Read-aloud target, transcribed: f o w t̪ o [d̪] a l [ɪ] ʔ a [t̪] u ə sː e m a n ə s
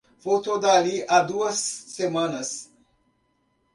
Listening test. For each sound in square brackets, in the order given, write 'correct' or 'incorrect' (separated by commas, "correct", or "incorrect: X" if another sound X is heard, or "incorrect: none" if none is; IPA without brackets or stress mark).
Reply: correct, incorrect: i, incorrect: d̪